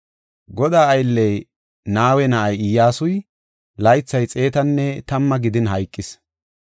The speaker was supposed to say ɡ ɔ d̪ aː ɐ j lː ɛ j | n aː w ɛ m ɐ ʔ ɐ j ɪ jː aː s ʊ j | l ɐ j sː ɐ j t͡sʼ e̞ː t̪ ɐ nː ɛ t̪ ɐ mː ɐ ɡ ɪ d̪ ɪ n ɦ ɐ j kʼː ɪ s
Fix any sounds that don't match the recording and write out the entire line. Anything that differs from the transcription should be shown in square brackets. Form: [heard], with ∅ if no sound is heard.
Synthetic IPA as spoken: ɡ ɔ d̪ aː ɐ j lː ɛ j | n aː w ɛ [n] ɐ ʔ ɐ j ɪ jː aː s ʊ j | l ɐ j [t͡sː] ɐ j t͡sʼ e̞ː t̪ ɐ nː ɛ t̪ ɐ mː ɐ ɡ ɪ d̪ ɪ n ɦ ɐ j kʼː ɪ s